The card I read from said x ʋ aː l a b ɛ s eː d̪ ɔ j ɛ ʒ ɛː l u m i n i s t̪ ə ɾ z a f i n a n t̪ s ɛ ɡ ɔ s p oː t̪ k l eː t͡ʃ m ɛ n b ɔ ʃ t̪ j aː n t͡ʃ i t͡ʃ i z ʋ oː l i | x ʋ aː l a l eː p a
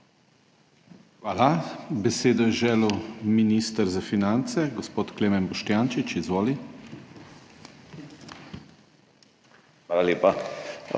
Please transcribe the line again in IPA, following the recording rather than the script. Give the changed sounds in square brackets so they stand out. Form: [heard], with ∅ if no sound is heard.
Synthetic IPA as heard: x ʋ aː l a b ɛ s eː d̪ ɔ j ɛ ʒ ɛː l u m i n i s t̪ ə ɾ z a f i n a n t̪ s ɛ ɡ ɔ s p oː t̪ k l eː [∅] m ɛ n b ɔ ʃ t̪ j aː n t͡ʃ i t͡ʃ i z ʋ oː l i | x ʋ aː l a l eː p a